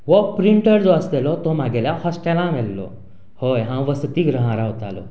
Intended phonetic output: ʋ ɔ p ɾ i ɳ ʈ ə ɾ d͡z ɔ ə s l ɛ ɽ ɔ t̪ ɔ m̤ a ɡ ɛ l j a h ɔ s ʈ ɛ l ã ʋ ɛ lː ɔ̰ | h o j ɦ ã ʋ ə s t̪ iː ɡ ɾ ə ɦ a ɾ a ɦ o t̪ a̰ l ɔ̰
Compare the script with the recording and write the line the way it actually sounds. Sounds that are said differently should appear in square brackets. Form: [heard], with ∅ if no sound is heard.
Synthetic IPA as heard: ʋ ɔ p ɾ i ɳ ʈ ə ɾ d͡z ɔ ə s l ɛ [l] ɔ t̪ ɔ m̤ a ɡ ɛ l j a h ɔ s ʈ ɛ l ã ʋ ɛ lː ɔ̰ | h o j ɦ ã ʋ ə s t̪ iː ɡ ɾ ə ɦ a ɾ a ɦ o t̪ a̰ l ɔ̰